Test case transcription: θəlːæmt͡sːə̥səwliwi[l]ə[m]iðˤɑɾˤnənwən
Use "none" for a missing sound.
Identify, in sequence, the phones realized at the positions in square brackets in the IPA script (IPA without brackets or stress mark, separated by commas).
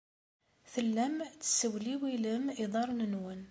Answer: l, m